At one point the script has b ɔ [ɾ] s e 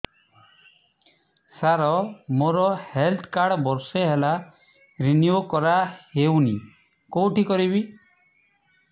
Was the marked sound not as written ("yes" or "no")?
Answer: no